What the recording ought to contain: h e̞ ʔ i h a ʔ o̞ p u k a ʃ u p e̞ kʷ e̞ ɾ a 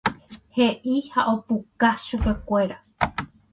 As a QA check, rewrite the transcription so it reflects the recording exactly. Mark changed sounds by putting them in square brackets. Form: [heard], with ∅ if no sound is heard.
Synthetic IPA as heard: h e̞ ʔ i h a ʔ o̞ p u k a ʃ u p e̞ kʷ e̞ ɾ a